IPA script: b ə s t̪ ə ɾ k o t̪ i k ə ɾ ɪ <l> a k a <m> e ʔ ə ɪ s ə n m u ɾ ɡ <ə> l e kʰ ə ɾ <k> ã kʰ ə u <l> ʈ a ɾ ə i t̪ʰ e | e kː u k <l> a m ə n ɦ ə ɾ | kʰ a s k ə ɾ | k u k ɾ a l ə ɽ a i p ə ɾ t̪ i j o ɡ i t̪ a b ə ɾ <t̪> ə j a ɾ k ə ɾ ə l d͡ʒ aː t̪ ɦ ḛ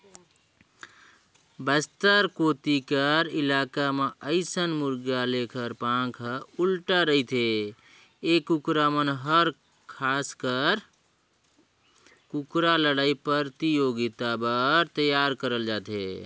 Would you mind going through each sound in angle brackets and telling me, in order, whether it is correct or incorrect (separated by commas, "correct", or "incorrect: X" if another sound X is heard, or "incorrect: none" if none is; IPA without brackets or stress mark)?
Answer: correct, correct, incorrect: a, incorrect: p, correct, incorrect: ɾ, correct